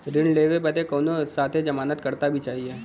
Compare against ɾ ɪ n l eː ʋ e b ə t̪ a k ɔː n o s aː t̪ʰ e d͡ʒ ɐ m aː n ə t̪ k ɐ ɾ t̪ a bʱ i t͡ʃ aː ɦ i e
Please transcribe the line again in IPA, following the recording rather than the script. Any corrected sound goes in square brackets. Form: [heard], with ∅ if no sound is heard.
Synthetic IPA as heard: ɾ ɪ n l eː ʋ e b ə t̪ [e] k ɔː n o s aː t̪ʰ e d͡ʒ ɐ m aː n ə t̪ k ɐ ɾ t̪ a bʱ i t͡ʃ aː ɦ i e